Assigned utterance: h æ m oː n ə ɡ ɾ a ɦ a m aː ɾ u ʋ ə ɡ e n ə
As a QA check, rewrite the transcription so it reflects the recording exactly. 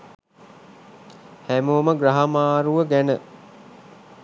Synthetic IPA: h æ m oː m ə ɡ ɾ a ɦ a m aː ɾ u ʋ ə ɡ æ n ə